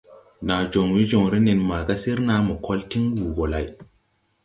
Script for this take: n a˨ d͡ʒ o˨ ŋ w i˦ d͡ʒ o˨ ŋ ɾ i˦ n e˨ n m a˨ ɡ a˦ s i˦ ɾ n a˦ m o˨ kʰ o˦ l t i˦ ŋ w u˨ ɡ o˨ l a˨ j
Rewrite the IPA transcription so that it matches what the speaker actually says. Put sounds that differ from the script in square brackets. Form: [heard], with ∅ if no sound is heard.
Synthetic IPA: n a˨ d͡ʒ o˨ ŋ w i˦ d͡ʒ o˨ ŋ ɾ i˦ n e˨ n m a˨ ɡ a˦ s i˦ ɾ n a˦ m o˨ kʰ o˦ l t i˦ ŋ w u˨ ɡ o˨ l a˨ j

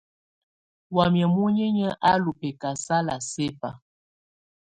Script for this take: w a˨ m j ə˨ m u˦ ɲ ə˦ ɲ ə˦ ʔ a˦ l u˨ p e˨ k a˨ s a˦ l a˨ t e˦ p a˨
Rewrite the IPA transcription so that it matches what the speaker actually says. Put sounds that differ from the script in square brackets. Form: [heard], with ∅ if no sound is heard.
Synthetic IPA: w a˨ m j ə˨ m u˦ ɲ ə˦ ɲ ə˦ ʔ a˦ l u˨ p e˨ k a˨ s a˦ l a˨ [s] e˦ p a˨

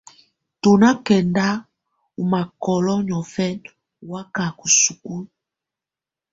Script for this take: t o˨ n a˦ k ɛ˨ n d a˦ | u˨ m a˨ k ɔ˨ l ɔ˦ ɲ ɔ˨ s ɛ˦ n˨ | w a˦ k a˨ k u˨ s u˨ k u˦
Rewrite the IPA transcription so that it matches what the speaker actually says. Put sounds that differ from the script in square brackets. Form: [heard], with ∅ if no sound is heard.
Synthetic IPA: t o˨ n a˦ k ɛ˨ n d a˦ | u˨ m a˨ k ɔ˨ l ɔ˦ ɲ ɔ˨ [f] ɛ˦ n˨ | w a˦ k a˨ k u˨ s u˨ k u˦

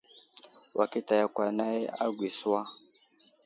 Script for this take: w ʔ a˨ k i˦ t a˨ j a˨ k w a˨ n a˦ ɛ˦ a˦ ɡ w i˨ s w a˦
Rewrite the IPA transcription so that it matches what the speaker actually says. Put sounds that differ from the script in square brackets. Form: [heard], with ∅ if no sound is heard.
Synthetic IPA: w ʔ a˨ k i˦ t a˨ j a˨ k w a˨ n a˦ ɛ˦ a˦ ɡ w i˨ s w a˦

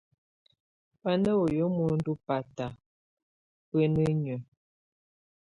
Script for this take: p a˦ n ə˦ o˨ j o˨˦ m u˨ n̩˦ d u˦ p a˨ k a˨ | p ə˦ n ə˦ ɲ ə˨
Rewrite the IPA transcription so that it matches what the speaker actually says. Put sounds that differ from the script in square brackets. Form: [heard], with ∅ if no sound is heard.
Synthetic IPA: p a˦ n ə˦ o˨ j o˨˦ m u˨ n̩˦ d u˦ p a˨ [t] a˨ | p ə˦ n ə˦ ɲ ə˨

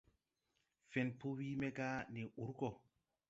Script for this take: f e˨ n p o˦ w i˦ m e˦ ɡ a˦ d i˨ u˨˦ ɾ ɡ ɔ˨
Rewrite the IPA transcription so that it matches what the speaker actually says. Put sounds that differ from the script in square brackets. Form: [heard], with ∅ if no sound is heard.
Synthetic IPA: f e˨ n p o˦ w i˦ m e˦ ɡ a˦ [n] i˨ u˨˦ ɾ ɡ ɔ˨

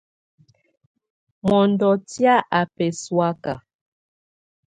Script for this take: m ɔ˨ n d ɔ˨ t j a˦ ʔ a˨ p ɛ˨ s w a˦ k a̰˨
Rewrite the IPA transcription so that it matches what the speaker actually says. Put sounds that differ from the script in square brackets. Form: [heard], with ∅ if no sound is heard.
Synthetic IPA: m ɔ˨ n d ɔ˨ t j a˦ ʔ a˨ p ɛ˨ s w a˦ k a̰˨

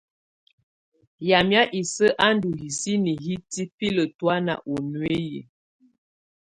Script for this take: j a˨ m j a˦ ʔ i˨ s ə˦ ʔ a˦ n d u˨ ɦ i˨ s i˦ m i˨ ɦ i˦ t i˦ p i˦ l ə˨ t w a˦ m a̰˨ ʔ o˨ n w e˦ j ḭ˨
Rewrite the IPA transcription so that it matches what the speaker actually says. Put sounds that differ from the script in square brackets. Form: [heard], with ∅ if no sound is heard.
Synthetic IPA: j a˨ m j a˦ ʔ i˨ s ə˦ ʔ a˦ n d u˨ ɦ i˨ s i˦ [n] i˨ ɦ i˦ t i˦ p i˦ l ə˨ t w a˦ [n] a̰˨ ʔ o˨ n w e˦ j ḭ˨

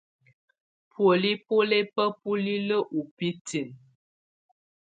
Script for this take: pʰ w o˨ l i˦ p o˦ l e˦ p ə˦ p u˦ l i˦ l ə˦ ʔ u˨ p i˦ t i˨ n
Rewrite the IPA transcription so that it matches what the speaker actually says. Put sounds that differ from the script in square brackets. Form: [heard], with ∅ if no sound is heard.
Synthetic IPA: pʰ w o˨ l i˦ p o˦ l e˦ p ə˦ p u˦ l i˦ l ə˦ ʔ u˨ p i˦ t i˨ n

